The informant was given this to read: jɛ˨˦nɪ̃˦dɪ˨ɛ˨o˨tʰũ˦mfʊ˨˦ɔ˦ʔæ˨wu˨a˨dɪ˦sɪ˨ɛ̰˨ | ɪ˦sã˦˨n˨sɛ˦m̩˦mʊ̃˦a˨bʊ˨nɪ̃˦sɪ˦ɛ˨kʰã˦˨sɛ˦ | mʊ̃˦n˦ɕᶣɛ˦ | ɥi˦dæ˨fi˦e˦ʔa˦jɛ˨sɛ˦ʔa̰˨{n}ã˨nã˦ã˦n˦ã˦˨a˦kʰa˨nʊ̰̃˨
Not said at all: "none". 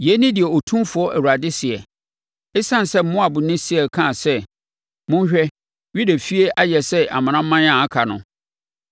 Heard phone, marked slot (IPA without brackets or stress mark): m